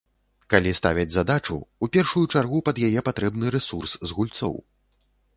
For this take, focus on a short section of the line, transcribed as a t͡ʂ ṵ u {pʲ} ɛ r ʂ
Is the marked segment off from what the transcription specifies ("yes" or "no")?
no